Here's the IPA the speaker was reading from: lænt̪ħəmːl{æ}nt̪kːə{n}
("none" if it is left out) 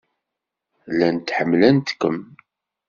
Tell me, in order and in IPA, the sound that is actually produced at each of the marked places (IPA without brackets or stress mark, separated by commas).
æ, m